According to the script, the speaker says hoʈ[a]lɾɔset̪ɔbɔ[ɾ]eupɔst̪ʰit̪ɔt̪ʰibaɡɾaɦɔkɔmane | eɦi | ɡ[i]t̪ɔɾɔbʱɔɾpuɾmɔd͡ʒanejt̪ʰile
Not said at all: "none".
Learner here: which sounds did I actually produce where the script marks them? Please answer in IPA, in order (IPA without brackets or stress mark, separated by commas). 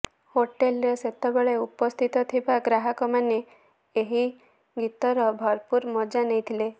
e, ɭ, i